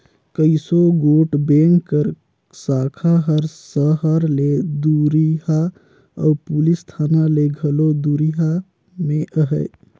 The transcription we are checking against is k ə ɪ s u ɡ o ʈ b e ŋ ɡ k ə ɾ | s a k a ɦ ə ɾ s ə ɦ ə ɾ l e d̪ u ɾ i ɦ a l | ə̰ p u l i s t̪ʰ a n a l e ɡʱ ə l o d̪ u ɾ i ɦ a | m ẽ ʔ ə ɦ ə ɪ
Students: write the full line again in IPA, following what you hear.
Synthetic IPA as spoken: k ə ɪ s o ɡ o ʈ b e ŋ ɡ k ə ɾ | s a kʰ a ɦ ə ɾ s ə ɦ ə ɾ l e d̪ u ɾ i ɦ a | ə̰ p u l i s t̪ʰ a n a l e ɡʱ ə l o d̪ u ɾ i ɦ a | m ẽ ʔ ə ɦ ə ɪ